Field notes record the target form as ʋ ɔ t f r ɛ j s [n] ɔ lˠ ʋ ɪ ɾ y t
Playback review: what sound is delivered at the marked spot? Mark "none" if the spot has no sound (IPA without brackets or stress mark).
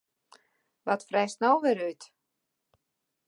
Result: n